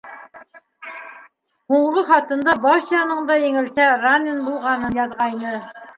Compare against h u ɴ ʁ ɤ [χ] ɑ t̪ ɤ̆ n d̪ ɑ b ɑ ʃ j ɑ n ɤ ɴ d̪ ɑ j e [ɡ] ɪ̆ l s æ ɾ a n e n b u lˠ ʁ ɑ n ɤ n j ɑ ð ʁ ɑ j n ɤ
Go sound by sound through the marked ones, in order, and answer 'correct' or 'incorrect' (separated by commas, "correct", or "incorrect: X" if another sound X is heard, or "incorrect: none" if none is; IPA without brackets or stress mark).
correct, incorrect: ŋ